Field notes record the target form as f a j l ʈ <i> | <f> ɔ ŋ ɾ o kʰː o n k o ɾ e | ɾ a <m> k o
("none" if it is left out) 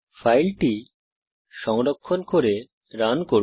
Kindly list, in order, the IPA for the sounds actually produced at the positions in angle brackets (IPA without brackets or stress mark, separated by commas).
i, ʃ, n